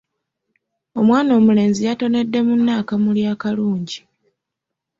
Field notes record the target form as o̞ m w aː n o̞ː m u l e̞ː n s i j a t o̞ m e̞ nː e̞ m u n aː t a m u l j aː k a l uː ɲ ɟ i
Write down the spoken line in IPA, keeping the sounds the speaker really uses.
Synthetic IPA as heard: o̞ m w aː n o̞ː m u l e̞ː n z i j a t o̞ n e̞ dː e̞ m u nː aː k a m u l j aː k a l uː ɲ ɟ i